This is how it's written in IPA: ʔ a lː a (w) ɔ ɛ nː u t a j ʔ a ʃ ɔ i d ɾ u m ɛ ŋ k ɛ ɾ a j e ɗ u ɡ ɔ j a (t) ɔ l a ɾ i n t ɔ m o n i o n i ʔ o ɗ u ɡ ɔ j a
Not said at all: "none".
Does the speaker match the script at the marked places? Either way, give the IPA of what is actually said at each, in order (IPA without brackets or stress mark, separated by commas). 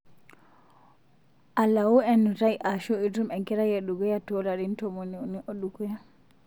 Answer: w, t